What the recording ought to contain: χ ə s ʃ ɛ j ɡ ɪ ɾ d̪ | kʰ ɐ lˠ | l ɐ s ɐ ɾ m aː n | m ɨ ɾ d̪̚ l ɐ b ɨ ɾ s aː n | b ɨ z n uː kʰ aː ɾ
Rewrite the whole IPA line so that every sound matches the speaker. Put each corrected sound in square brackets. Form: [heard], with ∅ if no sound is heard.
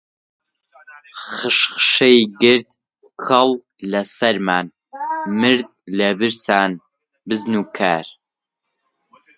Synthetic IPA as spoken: χ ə [ʃ] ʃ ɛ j ɡ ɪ ɾ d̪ | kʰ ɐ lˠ | l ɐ s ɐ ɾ m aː n | m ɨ ɾ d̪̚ l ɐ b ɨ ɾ s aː n | b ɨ z n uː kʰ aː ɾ